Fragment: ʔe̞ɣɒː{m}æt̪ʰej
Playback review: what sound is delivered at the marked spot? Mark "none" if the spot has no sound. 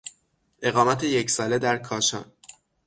m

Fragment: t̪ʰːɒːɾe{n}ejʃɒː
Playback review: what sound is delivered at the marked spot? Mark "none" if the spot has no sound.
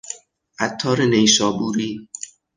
n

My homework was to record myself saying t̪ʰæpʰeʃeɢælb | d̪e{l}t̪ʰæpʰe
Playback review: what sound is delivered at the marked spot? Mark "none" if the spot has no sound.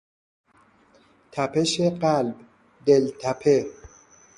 l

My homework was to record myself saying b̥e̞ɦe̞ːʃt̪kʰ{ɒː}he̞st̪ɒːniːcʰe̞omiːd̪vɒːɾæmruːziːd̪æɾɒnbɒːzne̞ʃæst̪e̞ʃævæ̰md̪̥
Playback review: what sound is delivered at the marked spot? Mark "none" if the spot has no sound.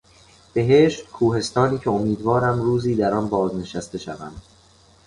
uː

